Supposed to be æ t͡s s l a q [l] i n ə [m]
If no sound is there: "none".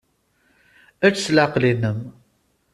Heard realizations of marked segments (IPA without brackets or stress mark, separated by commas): l, m